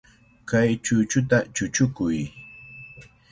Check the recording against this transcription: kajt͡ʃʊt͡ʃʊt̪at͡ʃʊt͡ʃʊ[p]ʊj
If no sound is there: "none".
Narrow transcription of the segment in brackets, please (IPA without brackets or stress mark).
k